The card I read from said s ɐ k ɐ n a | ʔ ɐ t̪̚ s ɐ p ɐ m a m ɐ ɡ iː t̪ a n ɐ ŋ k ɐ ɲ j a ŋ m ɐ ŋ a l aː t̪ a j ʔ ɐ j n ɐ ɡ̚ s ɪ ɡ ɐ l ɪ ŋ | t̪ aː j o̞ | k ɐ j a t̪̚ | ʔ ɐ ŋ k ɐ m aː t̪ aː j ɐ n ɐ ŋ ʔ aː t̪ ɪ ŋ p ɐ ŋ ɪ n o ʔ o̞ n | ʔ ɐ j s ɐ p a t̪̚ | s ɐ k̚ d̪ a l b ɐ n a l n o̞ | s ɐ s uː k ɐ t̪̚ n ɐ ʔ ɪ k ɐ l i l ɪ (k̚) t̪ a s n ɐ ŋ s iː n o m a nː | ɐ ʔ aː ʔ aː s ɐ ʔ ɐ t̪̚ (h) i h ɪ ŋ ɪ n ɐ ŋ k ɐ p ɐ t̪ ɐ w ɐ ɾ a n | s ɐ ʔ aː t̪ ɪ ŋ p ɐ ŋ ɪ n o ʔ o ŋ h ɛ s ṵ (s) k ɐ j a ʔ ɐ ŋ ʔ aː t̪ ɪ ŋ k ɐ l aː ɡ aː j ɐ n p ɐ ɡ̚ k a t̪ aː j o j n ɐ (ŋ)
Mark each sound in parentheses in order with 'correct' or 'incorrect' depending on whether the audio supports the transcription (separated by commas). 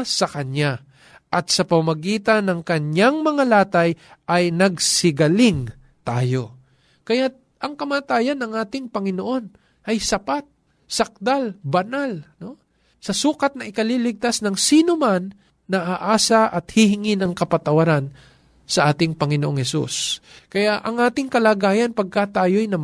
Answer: incorrect, correct, correct, incorrect